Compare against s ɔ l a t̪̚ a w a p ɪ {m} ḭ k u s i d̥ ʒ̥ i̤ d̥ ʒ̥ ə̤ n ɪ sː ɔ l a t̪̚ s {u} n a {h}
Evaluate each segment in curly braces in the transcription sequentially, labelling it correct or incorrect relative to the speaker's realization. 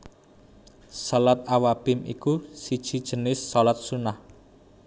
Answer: correct, correct, correct

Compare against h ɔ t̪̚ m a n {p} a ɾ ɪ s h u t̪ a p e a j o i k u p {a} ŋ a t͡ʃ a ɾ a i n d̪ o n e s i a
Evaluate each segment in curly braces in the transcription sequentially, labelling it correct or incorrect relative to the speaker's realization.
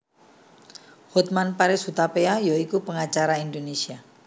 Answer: correct, incorrect: ə

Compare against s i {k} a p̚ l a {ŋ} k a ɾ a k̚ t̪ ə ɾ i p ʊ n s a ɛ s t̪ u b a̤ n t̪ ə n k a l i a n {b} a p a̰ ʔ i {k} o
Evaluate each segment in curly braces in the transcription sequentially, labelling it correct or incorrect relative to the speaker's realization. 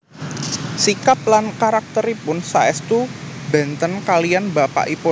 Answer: correct, incorrect: n, correct, incorrect: p

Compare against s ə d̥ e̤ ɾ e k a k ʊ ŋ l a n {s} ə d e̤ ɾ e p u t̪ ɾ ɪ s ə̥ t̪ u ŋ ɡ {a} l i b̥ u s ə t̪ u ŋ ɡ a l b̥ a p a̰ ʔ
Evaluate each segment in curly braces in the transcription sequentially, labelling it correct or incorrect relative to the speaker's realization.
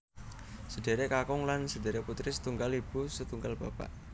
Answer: correct, correct

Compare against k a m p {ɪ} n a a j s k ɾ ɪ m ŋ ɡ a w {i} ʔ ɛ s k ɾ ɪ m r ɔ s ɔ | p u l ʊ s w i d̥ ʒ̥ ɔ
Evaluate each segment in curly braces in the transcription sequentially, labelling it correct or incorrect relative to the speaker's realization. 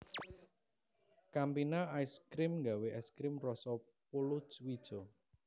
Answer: incorrect: i, incorrect: e

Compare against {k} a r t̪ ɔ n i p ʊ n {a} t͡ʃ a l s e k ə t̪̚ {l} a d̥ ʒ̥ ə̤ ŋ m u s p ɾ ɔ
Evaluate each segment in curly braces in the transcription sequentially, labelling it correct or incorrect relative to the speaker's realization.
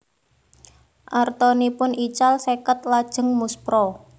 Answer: incorrect: ʔ, incorrect: i, correct

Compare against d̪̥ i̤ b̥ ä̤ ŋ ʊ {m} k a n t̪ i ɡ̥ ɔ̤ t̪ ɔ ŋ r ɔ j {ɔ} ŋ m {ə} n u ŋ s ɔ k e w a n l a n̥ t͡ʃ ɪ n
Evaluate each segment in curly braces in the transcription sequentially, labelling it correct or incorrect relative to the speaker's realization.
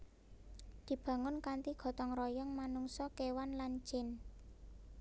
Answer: incorrect: n, correct, incorrect: a

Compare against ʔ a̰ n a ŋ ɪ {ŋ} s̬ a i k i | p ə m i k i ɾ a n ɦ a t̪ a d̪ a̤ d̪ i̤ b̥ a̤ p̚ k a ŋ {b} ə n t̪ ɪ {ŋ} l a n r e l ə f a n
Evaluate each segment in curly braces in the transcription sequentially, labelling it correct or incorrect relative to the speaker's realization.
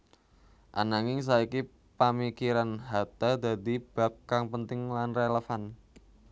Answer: correct, incorrect: p, correct

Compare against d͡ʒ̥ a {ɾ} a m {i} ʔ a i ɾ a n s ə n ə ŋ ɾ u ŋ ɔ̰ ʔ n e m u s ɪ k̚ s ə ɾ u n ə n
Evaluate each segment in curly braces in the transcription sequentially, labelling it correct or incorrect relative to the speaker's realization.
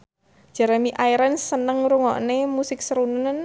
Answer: correct, correct

